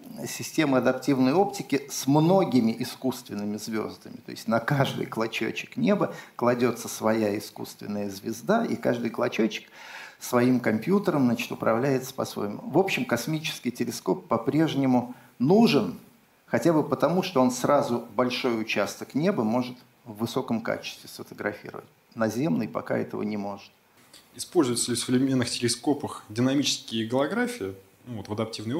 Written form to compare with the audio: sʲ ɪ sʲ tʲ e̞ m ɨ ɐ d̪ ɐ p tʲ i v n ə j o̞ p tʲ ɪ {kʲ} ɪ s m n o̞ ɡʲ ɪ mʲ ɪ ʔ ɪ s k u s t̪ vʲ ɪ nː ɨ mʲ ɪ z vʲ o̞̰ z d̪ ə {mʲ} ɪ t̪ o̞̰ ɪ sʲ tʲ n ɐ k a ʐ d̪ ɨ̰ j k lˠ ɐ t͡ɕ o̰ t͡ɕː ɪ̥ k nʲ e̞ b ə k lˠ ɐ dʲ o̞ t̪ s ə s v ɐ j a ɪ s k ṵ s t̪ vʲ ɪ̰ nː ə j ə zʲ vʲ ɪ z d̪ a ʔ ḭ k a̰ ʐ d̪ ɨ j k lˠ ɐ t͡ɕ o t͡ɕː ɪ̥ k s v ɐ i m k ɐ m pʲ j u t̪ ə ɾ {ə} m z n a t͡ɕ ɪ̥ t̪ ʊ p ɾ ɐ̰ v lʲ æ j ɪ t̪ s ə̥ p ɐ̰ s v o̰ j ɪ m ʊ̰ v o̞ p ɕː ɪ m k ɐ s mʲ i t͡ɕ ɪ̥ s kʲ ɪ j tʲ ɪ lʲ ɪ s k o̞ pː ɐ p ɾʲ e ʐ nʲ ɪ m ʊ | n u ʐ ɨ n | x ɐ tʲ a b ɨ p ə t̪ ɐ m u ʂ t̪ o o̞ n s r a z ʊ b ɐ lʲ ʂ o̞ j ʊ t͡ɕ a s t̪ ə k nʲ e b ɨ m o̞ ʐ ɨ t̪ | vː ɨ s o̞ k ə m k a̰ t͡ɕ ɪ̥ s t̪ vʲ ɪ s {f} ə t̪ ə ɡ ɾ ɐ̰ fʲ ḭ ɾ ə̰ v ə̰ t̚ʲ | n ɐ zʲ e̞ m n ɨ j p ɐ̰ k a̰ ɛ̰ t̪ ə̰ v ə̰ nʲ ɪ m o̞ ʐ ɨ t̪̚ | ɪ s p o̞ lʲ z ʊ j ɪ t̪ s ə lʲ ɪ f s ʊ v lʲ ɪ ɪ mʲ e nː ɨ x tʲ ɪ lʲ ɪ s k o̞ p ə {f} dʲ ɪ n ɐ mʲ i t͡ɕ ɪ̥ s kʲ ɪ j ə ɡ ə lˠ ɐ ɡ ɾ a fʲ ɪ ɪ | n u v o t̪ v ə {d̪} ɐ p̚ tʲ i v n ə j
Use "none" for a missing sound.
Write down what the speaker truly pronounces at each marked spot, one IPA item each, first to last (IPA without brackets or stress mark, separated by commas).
kʲ, mʲ, ə, f, x, d̪